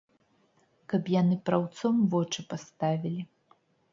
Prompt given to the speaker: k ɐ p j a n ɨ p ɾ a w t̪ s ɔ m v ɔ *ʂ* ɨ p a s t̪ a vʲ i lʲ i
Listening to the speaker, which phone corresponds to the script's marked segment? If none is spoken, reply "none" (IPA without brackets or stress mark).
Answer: t͡ʂ